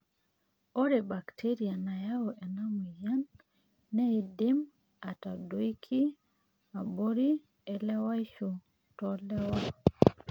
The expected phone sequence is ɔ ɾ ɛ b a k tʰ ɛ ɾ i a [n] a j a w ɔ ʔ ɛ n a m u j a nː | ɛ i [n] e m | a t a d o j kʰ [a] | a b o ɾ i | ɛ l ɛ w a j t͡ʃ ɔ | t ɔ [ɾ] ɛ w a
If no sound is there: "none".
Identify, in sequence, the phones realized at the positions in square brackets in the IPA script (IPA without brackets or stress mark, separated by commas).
n, d, i, l